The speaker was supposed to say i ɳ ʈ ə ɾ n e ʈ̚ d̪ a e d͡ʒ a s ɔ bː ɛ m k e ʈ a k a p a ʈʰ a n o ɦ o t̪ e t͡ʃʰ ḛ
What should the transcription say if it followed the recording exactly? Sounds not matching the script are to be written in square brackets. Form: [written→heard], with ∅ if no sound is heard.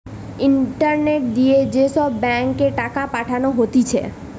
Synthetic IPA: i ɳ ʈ ə ɾ n e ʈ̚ d̪ [a→i] e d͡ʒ [a→e] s ɔ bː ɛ [m→ŋ] k e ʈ a k a p a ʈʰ a n o ɦ o t̪ [e→i] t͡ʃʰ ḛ